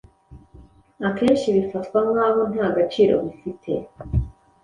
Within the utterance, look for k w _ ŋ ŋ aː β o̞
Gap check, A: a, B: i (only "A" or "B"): A